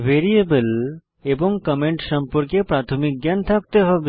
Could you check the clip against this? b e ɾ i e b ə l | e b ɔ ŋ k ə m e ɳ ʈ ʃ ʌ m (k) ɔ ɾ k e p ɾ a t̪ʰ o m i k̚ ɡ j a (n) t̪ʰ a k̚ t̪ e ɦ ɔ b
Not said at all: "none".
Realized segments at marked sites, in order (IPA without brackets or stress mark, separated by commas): p, n